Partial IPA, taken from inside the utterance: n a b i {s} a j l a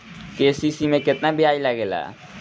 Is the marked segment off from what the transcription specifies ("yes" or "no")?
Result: yes